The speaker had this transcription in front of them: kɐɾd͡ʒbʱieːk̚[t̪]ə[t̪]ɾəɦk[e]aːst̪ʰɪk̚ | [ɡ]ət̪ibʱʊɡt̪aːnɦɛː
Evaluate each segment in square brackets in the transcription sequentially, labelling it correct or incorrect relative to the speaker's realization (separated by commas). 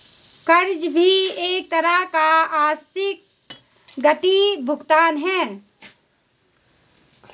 correct, incorrect, incorrect, correct